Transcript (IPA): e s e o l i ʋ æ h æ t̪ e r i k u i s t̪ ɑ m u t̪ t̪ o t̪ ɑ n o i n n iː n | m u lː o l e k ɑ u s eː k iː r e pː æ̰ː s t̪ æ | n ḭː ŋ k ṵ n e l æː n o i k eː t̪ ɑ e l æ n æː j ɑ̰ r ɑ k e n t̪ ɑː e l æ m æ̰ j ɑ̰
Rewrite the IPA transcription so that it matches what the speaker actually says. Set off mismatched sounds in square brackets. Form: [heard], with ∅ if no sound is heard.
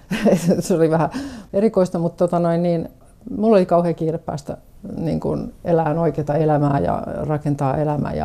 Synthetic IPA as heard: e s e o l i ʋ æ h æ [∅] e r i k [o] i s t̪ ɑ m u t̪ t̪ o t̪ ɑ n o i n n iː n | m u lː o l [i] k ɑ u [h] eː k iː r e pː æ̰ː s t̪ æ | n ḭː ŋ k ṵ n e l æː n o i k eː t̪ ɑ e l æ [m] æː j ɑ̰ r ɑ k e n t̪ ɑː e l æ m æ̰ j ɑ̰